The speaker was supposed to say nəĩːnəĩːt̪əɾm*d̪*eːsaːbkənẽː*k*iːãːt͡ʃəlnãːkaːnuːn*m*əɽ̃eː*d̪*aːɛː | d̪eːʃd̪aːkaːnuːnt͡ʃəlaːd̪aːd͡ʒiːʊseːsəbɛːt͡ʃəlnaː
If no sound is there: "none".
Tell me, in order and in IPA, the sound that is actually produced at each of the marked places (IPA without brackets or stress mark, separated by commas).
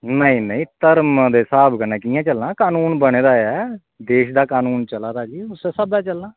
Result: d̪, k, b, d̪